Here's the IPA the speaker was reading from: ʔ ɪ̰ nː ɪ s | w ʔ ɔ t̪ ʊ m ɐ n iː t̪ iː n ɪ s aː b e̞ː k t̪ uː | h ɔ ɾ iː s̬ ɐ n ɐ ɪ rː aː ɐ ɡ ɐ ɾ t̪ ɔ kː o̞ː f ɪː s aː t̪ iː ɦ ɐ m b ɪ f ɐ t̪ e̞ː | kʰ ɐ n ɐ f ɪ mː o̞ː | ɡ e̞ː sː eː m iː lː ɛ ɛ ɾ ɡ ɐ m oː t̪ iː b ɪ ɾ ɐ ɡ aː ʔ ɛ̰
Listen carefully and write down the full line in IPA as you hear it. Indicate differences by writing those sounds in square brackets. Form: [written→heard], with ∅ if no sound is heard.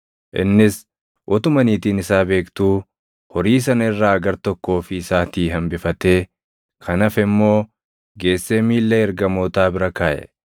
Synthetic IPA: ʔ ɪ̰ nː ɪ s | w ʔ ɔ t̪ ʊ m ɐ n iː t̪ iː n ɪ s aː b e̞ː k t̪ uː | h ɔ ɾ iː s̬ ɐ n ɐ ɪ rː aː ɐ ɡ ɐ ɾ t̪ ɔ kː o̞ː f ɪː s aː t̪ iː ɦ ɐ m b ɪ f ɐ t̪ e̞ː | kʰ ɐ n ɐ f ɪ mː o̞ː | ɡ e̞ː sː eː m iː lː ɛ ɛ ɾ ɡ ɐ m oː t̪ [iː→aː] b ɪ ɾ ɐ [ɡ→k] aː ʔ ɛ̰